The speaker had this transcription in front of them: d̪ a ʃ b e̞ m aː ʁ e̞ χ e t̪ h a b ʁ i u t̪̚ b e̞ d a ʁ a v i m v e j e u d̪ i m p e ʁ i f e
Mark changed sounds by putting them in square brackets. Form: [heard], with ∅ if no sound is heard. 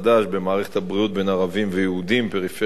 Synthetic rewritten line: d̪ a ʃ b e̞ m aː ʁ e̞ χ e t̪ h a b ʁ i u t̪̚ b e̞ [n] a ʁ a v i m v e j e u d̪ i m p e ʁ i f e